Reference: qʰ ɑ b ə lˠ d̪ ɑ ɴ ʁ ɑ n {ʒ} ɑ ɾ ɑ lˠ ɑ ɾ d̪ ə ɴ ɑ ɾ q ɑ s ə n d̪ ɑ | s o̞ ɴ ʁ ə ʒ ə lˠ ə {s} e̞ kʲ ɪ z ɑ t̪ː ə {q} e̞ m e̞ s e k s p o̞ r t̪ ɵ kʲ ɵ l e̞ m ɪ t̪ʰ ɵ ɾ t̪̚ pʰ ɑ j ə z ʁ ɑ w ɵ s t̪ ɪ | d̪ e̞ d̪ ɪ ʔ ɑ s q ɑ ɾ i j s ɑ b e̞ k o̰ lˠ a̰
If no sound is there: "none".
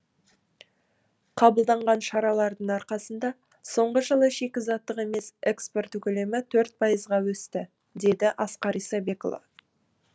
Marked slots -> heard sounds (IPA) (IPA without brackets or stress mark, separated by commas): ʃ, ʃ, q